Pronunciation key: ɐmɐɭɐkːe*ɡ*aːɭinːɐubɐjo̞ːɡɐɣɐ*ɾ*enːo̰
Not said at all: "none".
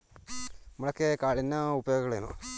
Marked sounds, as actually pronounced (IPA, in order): k, ɭ

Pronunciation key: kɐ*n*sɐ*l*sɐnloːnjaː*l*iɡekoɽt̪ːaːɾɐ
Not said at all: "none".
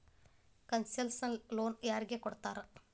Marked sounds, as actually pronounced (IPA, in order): n, l, ɾ

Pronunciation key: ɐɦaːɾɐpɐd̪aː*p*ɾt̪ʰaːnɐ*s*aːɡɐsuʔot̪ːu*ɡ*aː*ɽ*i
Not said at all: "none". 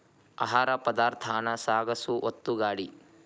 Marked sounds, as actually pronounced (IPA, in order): none, s, ɡ, ɽ

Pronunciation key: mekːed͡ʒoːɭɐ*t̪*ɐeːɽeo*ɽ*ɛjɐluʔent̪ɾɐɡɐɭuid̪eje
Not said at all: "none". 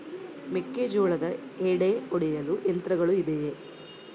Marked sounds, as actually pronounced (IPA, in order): d̪, ɽ

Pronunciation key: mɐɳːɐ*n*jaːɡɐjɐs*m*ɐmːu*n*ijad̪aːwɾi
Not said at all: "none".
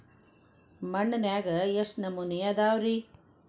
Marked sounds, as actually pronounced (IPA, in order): n, n, n

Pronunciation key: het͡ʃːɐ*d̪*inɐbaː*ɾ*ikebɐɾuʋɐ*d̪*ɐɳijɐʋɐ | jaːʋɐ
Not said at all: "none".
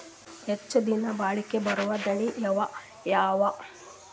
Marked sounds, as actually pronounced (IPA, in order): d̪, ɭ, d̪

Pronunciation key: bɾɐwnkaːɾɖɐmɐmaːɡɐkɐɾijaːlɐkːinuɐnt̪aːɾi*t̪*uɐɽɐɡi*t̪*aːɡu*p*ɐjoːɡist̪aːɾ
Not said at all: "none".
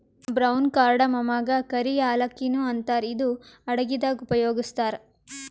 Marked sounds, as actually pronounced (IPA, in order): d̪, d̪, p

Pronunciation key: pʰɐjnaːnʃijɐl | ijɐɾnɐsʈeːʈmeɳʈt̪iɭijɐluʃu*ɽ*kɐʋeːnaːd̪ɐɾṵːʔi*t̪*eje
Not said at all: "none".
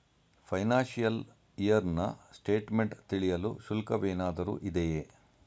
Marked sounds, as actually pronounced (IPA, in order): l, d̪

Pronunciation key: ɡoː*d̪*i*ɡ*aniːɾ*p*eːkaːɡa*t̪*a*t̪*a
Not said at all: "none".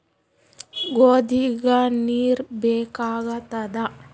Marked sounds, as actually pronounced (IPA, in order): d̪, ɡ, b, t̪, d̪

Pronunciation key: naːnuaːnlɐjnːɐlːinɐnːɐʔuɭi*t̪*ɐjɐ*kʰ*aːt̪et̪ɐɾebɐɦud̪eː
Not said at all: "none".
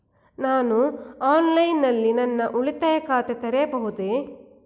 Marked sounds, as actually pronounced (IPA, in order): t̪, k

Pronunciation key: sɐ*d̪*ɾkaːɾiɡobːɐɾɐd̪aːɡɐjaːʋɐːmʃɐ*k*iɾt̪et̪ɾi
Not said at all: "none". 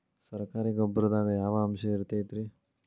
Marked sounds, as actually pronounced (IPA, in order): none, none

